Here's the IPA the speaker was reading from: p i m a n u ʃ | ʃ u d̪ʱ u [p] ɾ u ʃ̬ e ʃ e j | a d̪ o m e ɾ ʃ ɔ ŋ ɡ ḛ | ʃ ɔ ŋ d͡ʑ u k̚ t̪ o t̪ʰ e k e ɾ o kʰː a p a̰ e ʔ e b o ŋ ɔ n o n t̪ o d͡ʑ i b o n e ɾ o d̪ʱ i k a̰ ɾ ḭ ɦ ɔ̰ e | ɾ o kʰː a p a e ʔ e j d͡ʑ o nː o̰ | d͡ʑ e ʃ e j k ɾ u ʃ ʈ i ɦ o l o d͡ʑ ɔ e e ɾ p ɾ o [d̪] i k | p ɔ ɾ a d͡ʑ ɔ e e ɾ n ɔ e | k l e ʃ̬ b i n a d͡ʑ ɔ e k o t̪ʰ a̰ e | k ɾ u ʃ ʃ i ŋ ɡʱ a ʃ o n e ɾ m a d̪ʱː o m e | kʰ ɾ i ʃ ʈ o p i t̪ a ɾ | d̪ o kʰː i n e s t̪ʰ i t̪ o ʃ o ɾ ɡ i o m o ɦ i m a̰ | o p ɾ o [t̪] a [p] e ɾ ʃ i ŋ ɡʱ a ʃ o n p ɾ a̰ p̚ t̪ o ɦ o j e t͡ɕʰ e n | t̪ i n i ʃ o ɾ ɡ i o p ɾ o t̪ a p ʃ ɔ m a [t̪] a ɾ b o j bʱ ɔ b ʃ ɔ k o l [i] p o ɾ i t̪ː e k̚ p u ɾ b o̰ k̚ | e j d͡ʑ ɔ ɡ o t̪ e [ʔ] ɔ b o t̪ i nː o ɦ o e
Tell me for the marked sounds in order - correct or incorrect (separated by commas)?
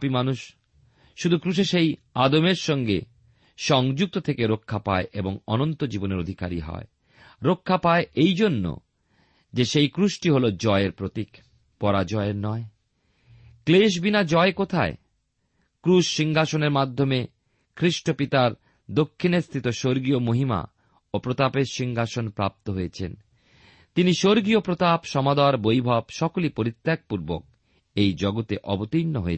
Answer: incorrect, incorrect, correct, correct, incorrect, correct, correct